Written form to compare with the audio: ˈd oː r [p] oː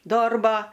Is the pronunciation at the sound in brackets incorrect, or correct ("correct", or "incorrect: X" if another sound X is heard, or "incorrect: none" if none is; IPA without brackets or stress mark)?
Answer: incorrect: b